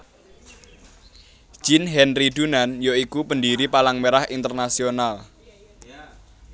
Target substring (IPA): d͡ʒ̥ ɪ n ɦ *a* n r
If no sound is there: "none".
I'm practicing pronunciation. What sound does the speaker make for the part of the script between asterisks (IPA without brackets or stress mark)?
ɛ